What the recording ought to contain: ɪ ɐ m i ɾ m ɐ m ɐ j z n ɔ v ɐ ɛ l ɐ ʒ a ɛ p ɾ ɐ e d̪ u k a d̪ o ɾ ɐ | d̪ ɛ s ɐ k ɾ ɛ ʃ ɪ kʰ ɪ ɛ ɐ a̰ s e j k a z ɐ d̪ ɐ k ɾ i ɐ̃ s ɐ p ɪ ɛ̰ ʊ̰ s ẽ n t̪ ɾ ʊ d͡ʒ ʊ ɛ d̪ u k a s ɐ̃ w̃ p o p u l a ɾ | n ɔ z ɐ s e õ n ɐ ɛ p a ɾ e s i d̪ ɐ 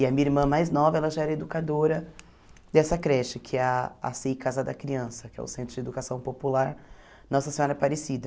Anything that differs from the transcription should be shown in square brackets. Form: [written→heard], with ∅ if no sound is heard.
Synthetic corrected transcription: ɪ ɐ m i ɾ m [ɐ→ɐ̃] m [ɐ→a] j z n ɔ v ɐ ɛ l ɐ ʒ a ɛ [p→∅] ɾ ɐ e d̪ u k a d̪ o ɾ ɐ | d̪ ɛ s ɐ k ɾ ɛ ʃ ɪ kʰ ɪ ɛ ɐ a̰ s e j k a z ɐ d̪ ɐ k ɾ i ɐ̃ s ɐ [p→k] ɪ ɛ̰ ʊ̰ s ẽ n t̪ ɾ ʊ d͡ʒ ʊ [ɛ→e] d̪ u k a s ɐ̃ w̃ p o p u l a ɾ | n ɔ [z→s] ɐ s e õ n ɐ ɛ p a ɾ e s i d̪ ɐ